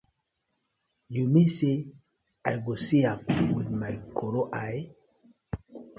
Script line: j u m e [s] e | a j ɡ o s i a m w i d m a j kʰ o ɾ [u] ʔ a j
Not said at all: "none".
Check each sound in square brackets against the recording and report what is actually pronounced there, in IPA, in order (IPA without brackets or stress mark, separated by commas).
s, o